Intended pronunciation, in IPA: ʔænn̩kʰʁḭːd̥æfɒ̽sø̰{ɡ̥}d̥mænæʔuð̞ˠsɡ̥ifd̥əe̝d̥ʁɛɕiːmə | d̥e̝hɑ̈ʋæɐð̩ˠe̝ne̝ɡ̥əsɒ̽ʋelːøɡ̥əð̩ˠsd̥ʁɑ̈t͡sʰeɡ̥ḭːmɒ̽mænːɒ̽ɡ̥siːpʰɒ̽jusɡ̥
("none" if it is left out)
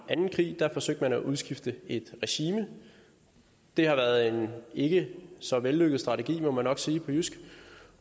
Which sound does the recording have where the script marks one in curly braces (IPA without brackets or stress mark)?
ɡ̥